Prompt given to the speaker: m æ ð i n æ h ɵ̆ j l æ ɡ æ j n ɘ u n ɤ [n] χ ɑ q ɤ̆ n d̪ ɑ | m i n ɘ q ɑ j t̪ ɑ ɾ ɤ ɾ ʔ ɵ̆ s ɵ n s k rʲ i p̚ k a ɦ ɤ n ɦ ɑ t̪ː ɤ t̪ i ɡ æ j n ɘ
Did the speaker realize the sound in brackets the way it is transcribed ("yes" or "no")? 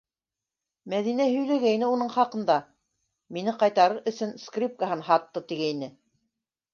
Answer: no